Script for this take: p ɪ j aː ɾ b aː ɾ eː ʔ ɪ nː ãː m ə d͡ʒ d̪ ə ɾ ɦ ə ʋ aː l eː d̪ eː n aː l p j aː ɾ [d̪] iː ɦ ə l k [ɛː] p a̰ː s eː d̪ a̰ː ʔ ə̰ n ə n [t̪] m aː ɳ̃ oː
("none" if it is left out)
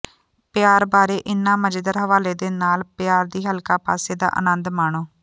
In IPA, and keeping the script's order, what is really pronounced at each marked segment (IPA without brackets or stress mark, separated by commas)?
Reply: d̪, aː, d̪